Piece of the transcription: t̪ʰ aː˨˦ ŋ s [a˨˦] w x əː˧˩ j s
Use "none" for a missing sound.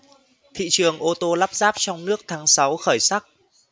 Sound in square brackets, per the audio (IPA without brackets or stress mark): a˨˦